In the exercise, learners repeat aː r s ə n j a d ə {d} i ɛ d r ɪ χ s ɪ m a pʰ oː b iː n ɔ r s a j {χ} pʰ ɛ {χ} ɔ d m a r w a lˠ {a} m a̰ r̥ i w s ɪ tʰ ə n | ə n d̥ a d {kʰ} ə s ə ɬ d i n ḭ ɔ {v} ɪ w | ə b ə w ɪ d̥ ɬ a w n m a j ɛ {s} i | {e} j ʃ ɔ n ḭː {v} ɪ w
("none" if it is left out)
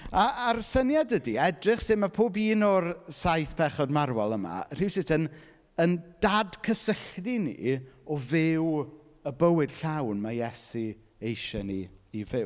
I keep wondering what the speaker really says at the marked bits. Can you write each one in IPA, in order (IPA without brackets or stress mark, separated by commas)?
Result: d, θ, χ, ə, kʰ, v, s, e, v